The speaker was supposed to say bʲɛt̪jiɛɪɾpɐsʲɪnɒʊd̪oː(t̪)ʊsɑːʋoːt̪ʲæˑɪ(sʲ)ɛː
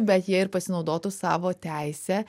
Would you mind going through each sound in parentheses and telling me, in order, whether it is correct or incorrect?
correct, correct

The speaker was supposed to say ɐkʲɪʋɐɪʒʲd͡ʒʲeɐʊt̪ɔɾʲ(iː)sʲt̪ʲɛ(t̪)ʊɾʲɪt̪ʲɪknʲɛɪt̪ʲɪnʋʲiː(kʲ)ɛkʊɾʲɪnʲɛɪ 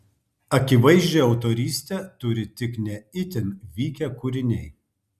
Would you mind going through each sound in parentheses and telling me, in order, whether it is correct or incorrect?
correct, correct, correct

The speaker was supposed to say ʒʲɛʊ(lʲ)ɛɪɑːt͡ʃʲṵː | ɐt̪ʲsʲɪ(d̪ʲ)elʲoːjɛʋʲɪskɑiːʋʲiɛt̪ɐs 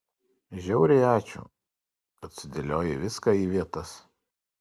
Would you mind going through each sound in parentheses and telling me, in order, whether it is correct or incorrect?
incorrect: ɾʲ, correct

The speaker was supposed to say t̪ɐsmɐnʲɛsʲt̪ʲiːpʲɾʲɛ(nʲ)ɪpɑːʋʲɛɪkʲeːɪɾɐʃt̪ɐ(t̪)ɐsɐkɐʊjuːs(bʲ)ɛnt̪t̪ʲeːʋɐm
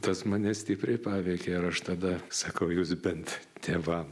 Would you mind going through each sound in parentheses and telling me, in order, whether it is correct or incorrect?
incorrect: none, incorrect: d̪, correct

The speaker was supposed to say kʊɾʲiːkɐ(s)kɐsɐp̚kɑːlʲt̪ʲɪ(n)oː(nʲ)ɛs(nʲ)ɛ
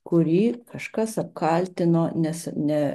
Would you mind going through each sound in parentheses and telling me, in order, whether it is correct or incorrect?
incorrect: ʃ, correct, correct, correct

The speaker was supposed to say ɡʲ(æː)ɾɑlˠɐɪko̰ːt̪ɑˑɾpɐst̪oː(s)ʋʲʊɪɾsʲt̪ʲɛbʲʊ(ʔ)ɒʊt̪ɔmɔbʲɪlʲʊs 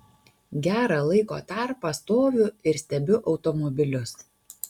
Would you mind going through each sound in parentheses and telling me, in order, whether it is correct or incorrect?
correct, incorrect: none, correct

